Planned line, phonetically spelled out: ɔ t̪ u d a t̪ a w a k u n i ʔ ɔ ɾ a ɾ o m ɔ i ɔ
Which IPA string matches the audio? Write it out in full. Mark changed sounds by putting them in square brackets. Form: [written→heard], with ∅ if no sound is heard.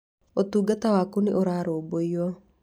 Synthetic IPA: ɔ t̪ u [d→ɡ] a t̪ a w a k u n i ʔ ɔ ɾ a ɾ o [m→b] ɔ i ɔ